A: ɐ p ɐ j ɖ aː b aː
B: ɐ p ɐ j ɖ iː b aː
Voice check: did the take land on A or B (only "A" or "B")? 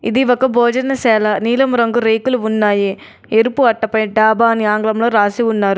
A